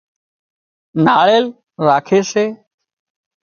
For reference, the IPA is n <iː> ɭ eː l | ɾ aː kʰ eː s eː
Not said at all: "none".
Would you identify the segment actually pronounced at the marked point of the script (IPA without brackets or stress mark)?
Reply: aː